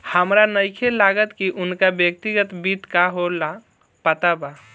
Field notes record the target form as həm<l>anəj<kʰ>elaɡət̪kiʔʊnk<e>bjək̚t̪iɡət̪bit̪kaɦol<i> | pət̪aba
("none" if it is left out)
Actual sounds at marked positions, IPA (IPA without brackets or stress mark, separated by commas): ɾ, kʰ, a, a